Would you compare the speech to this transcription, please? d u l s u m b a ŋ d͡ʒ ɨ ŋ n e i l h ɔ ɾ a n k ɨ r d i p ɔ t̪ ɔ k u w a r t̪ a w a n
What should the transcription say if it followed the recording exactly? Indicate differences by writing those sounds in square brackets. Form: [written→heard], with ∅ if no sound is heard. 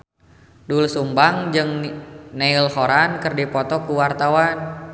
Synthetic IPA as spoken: d u l s u m b a ŋ d͡ʒ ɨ ŋ n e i l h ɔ ɾ a n k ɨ r d i p ɔ t̪ ɔ k u w a r t̪ a w a n